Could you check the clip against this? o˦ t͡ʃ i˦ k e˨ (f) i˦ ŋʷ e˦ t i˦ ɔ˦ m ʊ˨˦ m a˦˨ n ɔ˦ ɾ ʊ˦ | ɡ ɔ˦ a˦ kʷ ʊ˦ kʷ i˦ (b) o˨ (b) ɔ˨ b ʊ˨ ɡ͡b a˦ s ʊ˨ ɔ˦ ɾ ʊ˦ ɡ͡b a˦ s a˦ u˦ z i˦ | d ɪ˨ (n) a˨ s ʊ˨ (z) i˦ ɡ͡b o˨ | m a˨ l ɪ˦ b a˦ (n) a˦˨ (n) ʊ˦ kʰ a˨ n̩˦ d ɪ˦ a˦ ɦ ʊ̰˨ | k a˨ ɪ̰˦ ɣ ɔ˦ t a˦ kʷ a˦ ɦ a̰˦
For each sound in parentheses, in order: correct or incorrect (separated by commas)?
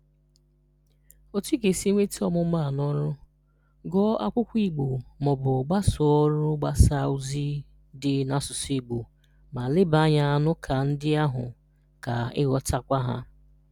incorrect, incorrect, incorrect, correct, incorrect, incorrect, correct